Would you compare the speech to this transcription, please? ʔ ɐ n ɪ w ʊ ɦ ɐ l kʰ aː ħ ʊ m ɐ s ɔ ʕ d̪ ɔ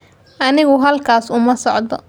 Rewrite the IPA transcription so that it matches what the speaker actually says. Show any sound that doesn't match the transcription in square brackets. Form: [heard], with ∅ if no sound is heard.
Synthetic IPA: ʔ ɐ n ɪ [ɣ] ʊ ɦ ɐ l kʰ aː [s] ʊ m ɐ s ɔ ʕ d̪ ɔ

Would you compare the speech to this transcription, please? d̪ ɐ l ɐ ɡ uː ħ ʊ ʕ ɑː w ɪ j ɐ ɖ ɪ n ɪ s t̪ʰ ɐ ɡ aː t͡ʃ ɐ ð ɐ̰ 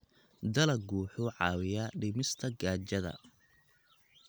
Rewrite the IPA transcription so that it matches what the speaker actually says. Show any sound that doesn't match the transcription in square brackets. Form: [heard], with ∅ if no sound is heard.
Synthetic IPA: d̪ ɐ l ɐ ɡ uː ħ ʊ ʕ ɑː w ɪ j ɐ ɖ ɪ [m] ɪ s t̪ʰ ɐ ɡ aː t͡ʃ ɐ ð ɐ̰

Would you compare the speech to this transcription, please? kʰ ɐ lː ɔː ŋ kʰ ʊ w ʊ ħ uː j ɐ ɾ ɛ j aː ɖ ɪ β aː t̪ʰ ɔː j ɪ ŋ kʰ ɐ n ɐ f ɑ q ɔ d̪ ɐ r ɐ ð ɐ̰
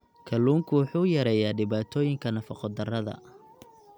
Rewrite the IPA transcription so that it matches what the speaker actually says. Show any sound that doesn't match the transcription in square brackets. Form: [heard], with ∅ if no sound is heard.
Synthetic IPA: kʰ ɐ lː [uː] ŋ kʰ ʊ w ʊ ħ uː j ɐ ɾ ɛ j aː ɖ ɪ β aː t̪ʰ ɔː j ɪ ŋ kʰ ɐ n ɐ f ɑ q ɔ d̪ ɐ r ɐ ð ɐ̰

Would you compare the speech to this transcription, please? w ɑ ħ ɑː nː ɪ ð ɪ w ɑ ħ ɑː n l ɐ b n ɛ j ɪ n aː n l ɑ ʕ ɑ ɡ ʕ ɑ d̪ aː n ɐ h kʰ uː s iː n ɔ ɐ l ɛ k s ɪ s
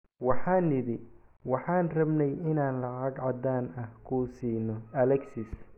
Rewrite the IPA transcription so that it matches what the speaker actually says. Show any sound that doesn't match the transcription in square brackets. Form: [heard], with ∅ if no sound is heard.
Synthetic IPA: w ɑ ħ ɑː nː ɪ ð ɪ w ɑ ħ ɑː n [r] ɐ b n ɛ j ɪ n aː n l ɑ ʕ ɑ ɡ ʕ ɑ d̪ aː n ɐ h kʰ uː s iː n ɔ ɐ l ɛ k s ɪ s

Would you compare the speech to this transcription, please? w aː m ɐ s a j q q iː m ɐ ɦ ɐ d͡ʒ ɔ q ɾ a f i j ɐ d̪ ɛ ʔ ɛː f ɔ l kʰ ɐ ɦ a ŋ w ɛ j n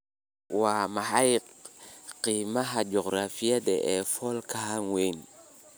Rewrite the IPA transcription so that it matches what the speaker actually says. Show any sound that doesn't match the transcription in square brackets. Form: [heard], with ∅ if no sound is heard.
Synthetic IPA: w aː m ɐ [ħ] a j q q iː m ɐ ɦ ɐ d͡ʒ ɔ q ɾ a f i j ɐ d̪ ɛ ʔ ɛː f ɔ l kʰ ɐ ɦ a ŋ w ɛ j n

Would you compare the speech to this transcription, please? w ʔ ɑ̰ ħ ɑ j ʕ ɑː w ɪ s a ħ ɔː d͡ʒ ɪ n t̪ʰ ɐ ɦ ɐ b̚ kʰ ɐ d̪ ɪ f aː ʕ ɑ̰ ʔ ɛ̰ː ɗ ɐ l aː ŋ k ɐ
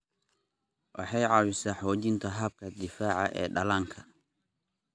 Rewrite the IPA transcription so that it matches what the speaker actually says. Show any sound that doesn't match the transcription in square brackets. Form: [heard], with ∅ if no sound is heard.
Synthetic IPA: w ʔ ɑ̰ ħ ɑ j ʕ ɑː w ɪ s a ħ ɔː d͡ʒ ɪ n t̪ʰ ɐ ɦ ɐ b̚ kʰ ɐ d̪ ɪ f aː ʕ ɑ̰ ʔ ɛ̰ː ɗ ɐ l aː ŋ [kʰ] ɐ

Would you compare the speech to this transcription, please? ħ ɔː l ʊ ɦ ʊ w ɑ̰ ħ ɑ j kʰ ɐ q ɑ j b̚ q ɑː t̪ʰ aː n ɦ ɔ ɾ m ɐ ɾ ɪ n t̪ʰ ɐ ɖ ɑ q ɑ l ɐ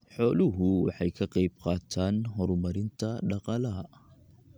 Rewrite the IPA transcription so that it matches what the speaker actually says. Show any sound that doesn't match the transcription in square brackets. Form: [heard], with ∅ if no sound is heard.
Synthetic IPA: ħ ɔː l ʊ ɦ ʊ w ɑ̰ ħ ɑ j kʰ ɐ q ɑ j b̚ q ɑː t̪ʰ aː n ɦ ɔ ɾ m ɐ ɾ ɪ n t̪ʰ ɐ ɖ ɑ q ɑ l ɐ

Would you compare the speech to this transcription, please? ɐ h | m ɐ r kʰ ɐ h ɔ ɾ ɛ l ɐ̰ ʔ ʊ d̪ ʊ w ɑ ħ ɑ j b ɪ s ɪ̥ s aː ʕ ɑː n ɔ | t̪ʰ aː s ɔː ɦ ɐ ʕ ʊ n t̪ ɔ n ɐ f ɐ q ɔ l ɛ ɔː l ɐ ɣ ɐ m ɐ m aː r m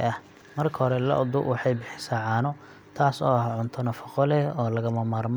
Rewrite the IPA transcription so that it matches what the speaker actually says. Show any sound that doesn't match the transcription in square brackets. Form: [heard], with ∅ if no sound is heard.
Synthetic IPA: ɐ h | m ɐ r kʰ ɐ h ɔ ɾ ɛ l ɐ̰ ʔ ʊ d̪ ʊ w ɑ ħ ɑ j b ɪ [ħ] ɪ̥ s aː ʕ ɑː n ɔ | t̪ʰ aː s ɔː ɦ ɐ ʕ ʊ n [t̪ʰ] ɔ n ɐ f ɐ q ɔ l ɛ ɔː l ɐ ɣ ɐ m ɐ m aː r m

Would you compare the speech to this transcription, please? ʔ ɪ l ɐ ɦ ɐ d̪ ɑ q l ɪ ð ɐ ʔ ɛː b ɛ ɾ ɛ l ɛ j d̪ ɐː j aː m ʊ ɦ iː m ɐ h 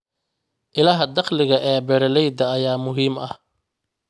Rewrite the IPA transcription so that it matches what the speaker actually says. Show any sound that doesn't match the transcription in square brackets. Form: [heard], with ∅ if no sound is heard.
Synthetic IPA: ʔ ɪ l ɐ ɦ ɐ d̪ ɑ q l ɪ [ɣ] ɐ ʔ ɛː b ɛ ɾ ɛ l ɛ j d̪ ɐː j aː m ʊ ɦ iː m ɐ h

